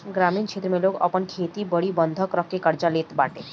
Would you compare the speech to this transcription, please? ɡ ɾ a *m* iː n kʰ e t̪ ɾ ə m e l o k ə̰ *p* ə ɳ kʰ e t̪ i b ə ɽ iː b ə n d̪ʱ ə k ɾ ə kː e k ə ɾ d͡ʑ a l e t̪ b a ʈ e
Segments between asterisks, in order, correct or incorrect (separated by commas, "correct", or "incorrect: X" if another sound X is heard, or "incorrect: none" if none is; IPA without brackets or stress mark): correct, correct